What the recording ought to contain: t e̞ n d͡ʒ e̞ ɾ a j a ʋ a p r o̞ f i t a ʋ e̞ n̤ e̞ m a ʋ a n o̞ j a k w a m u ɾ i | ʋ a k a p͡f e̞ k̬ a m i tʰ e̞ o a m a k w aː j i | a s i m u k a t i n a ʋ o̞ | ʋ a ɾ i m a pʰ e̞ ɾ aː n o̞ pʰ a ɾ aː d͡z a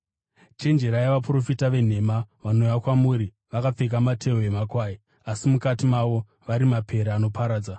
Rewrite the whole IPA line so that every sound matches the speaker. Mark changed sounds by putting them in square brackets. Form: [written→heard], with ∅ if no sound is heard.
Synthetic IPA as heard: [t→t͡ʃ] e̞ n d͡ʒ e̞ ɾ a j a ʋ a p r o̞ f i t a ʋ e̞ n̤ e̞ m a ʋ a n o̞ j a k w a m u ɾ i | ʋ a k a p͡f e̞ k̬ a m [i→a] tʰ e̞ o [a→e] m a k w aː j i | a s i m u k a t i [n→m] a ʋ o̞ | ʋ a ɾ i m a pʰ e̞ ɾ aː n o̞ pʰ a ɾ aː d͡z a

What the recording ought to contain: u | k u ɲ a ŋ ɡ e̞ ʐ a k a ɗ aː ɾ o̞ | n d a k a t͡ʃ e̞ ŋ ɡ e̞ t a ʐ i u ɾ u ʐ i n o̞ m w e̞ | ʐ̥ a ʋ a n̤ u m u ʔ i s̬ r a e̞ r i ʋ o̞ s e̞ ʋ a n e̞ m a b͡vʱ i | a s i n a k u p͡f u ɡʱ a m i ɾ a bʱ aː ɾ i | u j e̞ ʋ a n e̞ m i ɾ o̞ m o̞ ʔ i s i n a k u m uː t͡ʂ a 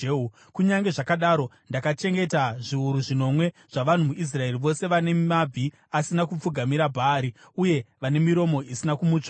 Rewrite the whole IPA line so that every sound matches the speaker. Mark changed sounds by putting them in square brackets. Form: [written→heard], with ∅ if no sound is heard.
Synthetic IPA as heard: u | k u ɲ a ŋ ɡ e̞ ʐ a k a ɗ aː ɾ o̞ | n d a k a t͡ʃ e̞ ŋ ɡ e̞ t a ʐ i u ɾ u ʐ i n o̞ m w e̞ | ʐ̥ a ʋ a n̤ u m u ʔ i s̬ r a e̞ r i ʋ o̞ s e̞ ʋ a n e̞ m a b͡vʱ i | a s i n a k u p͡f u ɡʱ a m i ɾ a bʱ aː ɾ i | u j e̞ ʋ a n e̞ m i ɾ o̞ m o̞ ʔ i s i n a k u m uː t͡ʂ a

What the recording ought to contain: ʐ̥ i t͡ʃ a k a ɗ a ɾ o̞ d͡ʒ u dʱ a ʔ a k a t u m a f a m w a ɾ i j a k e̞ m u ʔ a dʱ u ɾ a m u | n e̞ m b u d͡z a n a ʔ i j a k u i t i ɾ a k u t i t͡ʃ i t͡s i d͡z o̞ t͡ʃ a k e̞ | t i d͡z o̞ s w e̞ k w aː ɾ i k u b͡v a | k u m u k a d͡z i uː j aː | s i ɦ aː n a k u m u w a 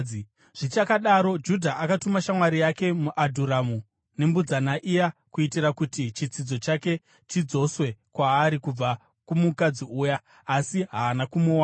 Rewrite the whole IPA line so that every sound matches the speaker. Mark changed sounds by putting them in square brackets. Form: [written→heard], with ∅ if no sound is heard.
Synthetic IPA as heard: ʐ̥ i t͡ʃ a k a ɗ a ɾ o̞ d͡ʒ u dʱ a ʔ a k a t u m a [f→ʃ] a m w a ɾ i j a k e̞ m u ʔ a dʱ u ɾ a m u | n e̞ m b u d͡z a n a ʔ i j a k u i t i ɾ a k u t i t͡ʃ i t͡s i d͡z o̞ t͡ʃ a k e̞ | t i d͡z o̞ s w e̞ k w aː ɾ i k u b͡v a | k u m u k a d͡z i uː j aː | s i ɦ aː n a k u m u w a

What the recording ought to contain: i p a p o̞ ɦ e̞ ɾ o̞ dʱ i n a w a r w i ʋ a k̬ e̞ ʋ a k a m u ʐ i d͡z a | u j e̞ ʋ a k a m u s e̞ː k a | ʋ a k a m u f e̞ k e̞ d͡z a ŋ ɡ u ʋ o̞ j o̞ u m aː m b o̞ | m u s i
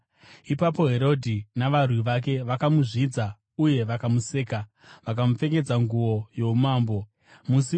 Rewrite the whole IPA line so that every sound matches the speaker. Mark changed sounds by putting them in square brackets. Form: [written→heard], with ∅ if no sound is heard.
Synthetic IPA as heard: i p a p o̞ ɦ e̞ ɾ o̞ dʱ i n a [w→ʋ] a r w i ʋ a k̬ e̞ ʋ a k a m u ʐ i d͡z a | u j e̞ ʋ a k a m u s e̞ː k a | ʋ a k a m u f e̞ k e̞ d͡z a ŋ ɡ u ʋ o̞ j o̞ u m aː m b o̞ | m u s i

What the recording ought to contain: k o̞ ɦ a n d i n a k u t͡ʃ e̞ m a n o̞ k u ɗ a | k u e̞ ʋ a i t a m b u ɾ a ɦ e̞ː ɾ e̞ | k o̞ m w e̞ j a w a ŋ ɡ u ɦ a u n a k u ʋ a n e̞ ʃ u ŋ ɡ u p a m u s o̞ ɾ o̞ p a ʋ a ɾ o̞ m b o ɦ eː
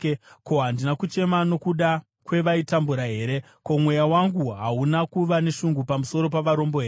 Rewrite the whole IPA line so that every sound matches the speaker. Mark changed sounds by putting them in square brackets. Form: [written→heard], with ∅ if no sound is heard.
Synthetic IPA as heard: k o̞ ɦ a n d i n a k u t͡ʃ e̞ m a n o̞ k u ɗ a | k [u→w] e̞ ʋ a i t a m b u ɾ a ɦ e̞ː ɾ e̞ | k o̞ m w e̞ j a w a ŋ ɡ u ɦ a u n a k u ʋ a n e̞ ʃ u ŋ ɡ u p a m u s o̞ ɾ o̞ p a ʋ a ɾ o̞ m b o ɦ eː

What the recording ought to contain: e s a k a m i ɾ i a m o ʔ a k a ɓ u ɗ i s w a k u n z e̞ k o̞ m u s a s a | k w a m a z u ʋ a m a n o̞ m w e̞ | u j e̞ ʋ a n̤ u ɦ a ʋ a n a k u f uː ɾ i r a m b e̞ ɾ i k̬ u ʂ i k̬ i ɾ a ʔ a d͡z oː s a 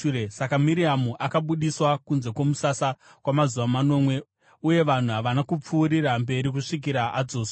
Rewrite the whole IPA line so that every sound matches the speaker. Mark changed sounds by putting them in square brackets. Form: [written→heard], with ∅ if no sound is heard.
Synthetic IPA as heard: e s a k a m i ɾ i a m [o→u] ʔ a k a ɓ u ɗ i s w a k u n z e̞ k o̞ m u s a s a | k w a m a z u ʋ a m a n o̞ m w e̞ | u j e̞ ʋ a n̤ u ɦ a ʋ a n a k u [f→p͡f] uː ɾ i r a m b e̞ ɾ i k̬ u ʂ i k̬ i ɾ a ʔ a d͡z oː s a

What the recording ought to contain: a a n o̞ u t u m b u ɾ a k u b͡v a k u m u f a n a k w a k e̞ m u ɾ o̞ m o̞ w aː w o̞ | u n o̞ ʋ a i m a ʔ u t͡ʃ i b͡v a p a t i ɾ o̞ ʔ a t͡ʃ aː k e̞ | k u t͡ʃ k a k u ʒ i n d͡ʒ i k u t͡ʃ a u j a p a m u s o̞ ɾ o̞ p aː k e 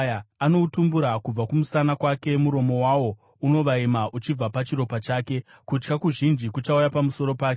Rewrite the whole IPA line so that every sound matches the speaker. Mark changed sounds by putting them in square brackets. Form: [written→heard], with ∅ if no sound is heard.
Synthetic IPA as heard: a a n o̞ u t u m b u ɾ a k u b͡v a k u m u [f→s] a n a k w a k e̞ m u ɾ o̞ m o̞ w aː w o̞ | u n o̞ ʋ a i m a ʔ u t͡ʃ i b͡v a p a [t→t͡ʃ] i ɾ o̞ [ʔ→p] a t͡ʃ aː k e̞ | k u t͡ʃ k a k u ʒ i n d͡ʒ i k u t͡ʃ a u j a p a m u s o̞ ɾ o̞ p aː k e

